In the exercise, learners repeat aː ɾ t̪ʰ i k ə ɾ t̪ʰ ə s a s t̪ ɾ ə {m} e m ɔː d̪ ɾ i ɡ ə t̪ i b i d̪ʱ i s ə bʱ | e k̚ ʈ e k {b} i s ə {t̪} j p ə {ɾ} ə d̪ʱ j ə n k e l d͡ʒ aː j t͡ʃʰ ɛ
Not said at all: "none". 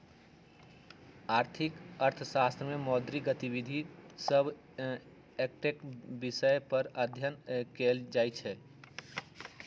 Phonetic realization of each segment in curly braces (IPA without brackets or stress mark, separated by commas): m, b, none, ɾ